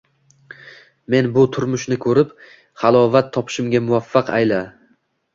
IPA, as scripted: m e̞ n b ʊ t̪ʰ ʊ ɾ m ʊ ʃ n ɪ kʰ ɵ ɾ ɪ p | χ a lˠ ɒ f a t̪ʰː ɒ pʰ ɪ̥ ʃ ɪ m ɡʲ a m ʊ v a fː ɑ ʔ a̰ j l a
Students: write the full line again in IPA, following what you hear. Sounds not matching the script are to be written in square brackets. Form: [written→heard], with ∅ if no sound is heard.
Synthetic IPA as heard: m e̞ n b ʊ t̪ʰ ʊ ɾ m ʊ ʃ n ɪ kʰ ɵ ɾ ɪ p | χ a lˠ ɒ [f→v] a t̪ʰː ɒ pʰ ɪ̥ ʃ ɪ m ɡʲ a m ʊ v a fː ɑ [ʔ→q] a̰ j l a